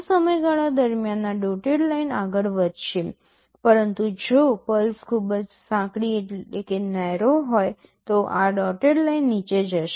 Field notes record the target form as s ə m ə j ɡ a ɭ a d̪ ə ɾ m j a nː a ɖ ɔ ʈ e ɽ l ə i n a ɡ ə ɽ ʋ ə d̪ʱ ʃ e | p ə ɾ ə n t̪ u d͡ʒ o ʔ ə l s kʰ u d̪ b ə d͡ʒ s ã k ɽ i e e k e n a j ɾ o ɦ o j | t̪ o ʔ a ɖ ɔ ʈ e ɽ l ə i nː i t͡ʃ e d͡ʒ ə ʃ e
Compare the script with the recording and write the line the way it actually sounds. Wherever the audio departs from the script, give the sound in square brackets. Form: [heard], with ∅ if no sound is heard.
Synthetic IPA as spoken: s ə m ə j ɡ a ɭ a d̪ ə ɾ m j a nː a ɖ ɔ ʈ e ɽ l [a] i n a ɡ ə [ɭ] ʋ ə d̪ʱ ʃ e | p ə ɾ ə n t̪ u d͡ʒ o [p] ə l s kʰ u [∅] b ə d͡ʒ s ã k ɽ i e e k e n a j ɾ o ɦ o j | t̪ o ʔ a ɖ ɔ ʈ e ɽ l [a] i nː i t͡ʃ e d͡ʒ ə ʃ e